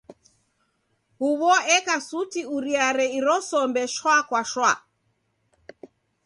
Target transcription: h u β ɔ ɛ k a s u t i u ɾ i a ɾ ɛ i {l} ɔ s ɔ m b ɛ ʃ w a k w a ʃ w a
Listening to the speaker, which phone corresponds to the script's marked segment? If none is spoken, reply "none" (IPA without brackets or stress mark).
ɾ